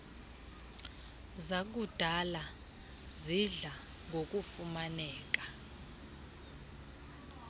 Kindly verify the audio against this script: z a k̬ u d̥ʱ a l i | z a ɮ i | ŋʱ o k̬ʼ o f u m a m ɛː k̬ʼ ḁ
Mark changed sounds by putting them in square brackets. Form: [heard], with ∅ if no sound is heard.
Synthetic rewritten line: z a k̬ u d̥ʱ a l [a] | z [i] ɮ [a] | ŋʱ o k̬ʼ [u] f u m a [n] ɛː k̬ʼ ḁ

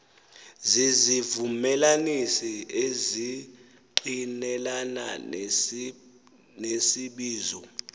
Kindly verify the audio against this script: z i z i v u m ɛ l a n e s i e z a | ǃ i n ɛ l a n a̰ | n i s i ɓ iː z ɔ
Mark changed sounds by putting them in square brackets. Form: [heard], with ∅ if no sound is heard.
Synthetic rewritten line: z i z i v u m ɛ l a n [i] s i e z [i] | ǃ i n ɛ l a n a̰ | n [e] s i ɓ iː z ɔ

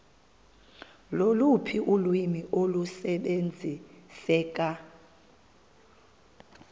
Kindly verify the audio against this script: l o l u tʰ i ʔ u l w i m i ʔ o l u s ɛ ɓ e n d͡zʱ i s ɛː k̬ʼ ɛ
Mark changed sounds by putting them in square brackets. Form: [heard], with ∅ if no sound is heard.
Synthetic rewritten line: l o l u [pʰ] i ʔ u l w i m i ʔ o l u s ɛ ɓ e n d͡zʱ i s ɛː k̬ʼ [a]

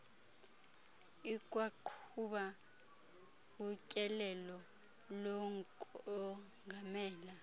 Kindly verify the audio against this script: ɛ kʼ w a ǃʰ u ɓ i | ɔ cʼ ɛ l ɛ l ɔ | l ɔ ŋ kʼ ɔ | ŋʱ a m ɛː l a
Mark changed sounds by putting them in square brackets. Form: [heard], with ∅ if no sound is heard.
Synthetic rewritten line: [i] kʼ w a ǃʰ u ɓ [a] | [u] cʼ ɛ l ɛ l ɔ | l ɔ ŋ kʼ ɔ | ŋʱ a m ɛː l a

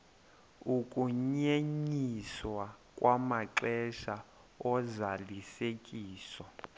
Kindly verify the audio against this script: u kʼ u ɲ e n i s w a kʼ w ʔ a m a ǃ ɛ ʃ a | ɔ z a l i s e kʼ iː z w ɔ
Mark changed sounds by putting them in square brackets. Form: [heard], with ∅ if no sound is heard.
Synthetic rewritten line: u kʼ u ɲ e [ɲ] i s w a kʼ w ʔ a m a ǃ ɛ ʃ a | ɔ z a l i s e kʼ iː [s] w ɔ

